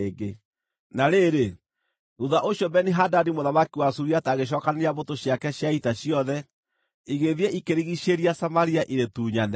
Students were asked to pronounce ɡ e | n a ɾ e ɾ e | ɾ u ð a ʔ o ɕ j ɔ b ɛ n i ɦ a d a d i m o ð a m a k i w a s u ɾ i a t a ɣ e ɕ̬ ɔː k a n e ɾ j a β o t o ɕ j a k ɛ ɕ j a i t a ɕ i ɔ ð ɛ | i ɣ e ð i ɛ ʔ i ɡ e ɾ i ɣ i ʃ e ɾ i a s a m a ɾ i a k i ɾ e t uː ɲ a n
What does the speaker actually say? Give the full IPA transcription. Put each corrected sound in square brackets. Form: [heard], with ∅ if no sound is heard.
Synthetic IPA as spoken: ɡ e | n a ɾ e ɾ e | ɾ u ð a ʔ o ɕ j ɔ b ɛ n i ɦ a d a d i m o ð a m a k i w a s u ɾ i a t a ɣ e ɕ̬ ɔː k a n e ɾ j a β o t o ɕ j a k ɛ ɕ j a i t a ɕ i ɔ ð ɛ | i ɣ e ð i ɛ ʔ i [k] e ɾ i ɣ i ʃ e ɾ i a s a m a ɾ i a [ʔ] i ɾ e t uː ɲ a n